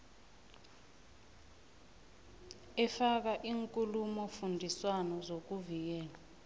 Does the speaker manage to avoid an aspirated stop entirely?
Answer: yes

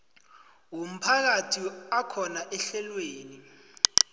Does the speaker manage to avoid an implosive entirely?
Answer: yes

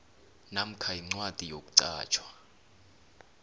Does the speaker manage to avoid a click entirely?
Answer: no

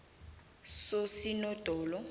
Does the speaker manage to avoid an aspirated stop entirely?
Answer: yes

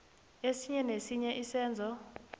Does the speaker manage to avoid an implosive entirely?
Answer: yes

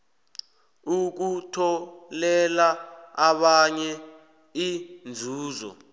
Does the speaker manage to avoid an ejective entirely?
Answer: yes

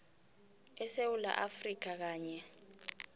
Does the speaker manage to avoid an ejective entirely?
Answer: yes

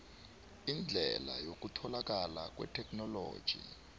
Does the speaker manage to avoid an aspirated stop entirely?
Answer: no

